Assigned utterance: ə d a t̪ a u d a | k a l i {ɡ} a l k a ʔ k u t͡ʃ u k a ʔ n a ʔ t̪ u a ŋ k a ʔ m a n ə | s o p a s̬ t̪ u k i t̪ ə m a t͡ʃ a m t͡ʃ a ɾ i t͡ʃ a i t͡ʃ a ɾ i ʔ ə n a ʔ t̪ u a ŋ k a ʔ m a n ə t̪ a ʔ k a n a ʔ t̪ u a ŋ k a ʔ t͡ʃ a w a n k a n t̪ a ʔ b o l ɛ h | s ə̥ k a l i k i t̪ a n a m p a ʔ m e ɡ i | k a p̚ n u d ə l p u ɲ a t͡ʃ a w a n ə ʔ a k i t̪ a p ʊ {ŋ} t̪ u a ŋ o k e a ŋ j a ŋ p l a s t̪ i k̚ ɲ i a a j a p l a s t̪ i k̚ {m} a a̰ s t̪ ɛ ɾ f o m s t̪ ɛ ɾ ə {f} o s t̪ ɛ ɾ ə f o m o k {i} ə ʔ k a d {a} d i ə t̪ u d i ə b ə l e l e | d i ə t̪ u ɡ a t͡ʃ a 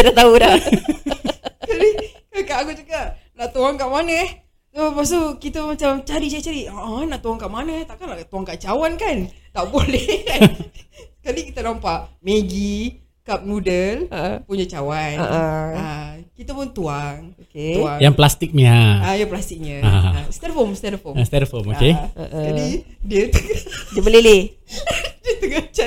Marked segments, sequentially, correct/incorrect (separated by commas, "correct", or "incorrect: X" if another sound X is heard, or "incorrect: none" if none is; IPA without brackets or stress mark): incorrect: k, incorrect: n, incorrect: ɲ, correct, incorrect: e, incorrect: i